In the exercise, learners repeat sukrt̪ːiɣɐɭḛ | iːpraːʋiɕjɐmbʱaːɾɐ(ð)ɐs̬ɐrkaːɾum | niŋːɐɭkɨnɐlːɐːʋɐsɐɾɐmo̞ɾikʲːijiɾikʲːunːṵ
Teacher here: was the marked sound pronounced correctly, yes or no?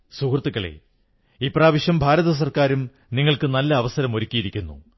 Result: yes